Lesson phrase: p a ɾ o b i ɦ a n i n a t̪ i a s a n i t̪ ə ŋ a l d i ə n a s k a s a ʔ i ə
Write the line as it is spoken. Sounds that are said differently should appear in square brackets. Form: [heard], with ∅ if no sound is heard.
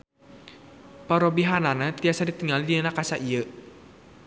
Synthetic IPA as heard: p a ɾ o b i ɦ a n [a] n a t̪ i a s a [d] i t̪ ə ŋ a l d i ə n a [∅] k a s a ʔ i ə